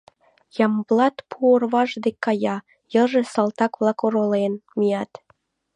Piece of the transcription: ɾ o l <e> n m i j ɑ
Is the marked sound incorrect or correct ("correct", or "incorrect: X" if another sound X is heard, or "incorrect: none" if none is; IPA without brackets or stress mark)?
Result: correct